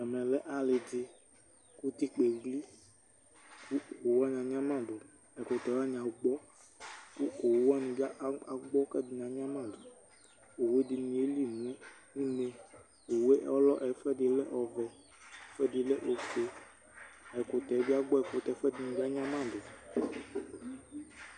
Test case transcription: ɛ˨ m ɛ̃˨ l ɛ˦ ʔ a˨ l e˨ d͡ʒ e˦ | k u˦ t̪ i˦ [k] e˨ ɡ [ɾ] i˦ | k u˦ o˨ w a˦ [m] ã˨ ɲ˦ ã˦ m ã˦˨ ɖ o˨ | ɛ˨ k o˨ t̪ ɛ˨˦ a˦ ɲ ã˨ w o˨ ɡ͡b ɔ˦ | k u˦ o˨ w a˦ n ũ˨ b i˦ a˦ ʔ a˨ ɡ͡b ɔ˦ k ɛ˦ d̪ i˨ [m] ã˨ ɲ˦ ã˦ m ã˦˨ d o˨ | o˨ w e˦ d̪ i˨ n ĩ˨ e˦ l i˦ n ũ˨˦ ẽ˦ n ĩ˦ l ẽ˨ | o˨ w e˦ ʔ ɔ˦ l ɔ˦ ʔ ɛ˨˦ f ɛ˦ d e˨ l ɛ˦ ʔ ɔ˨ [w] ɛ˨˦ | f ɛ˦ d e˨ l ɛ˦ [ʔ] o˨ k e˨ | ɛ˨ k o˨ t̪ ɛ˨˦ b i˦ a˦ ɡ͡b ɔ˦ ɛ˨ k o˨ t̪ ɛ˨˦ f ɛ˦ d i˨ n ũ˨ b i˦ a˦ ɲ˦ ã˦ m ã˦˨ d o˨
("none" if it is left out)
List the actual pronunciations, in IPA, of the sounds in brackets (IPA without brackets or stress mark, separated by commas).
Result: k͡p, l, ɲ, ɲ, v, ʔ